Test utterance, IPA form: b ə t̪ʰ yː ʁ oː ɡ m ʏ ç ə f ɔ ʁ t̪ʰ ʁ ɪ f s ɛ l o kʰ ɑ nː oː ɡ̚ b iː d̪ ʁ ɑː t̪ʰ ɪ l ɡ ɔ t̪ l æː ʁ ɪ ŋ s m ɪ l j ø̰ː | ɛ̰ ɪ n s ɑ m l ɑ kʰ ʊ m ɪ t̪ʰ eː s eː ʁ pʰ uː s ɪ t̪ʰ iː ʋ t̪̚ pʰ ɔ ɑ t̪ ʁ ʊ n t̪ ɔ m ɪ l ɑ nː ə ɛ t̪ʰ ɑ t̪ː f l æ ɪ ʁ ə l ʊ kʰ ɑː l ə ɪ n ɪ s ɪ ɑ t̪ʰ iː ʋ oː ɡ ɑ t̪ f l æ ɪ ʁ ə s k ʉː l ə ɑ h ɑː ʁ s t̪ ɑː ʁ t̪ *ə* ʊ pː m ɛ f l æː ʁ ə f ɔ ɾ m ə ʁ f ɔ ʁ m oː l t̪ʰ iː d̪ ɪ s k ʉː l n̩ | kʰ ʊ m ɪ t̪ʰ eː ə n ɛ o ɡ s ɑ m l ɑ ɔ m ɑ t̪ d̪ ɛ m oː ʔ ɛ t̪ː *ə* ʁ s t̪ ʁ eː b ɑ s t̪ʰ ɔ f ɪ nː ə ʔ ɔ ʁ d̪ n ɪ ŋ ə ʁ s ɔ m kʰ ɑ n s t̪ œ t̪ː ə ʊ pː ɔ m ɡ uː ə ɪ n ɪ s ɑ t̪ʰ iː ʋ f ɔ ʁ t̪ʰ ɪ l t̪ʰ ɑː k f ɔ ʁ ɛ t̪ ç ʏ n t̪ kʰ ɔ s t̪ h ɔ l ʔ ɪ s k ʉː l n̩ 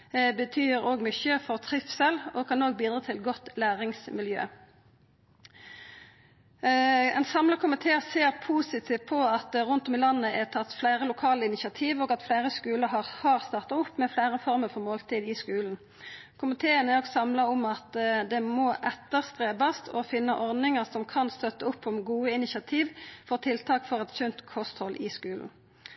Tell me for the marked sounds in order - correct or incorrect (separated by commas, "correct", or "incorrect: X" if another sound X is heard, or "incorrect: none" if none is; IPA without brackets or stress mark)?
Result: incorrect: ɑ, correct